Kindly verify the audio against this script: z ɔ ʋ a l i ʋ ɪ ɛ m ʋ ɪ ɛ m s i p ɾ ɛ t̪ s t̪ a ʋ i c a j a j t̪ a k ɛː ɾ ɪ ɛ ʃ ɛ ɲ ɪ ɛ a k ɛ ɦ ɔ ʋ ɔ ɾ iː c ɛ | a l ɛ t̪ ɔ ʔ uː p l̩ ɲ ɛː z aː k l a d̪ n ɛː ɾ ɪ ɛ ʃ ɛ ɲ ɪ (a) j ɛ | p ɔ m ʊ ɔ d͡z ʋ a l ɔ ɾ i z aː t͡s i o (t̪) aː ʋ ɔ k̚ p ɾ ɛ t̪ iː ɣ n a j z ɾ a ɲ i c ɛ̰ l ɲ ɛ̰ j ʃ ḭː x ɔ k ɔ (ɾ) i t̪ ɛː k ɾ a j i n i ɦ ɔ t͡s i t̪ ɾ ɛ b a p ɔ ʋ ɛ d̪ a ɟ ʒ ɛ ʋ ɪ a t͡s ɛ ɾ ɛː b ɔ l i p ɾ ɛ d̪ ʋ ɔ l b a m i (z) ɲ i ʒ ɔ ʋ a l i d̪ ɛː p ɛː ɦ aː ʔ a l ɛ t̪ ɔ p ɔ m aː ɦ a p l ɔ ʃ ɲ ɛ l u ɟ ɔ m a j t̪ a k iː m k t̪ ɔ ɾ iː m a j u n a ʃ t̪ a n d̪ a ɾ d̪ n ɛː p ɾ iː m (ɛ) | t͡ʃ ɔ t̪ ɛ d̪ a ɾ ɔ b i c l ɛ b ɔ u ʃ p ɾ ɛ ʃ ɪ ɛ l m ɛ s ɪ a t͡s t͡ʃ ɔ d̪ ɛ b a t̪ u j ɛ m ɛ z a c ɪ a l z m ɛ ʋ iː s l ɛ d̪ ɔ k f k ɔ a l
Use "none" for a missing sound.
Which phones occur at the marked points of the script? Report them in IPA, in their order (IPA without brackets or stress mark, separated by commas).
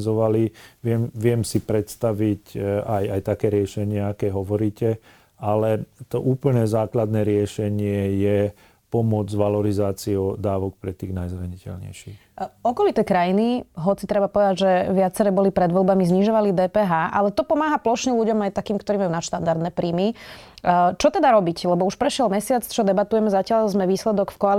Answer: ɛ, d̪, l, z, i